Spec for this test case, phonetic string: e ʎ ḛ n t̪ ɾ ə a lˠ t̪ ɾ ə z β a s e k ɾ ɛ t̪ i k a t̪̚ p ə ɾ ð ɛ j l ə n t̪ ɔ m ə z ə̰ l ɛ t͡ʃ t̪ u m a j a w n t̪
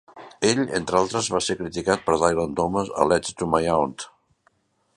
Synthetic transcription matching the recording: e ʎ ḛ n t̪ ɾ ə a lˠ t̪ ɾ ə z β a s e k ɾ i t̪ i k a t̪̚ p ə ɾ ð a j l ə n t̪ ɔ m ə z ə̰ l ɛ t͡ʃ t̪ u m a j a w n t̪